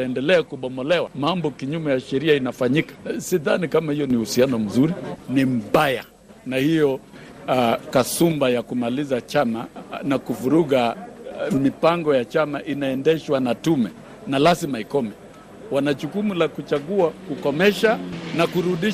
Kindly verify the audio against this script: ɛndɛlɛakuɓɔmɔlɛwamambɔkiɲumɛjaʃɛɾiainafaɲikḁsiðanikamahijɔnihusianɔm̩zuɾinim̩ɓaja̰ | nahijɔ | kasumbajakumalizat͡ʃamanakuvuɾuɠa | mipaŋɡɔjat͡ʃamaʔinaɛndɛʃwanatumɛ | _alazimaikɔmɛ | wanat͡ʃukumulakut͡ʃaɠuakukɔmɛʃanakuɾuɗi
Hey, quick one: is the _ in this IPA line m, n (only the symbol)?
n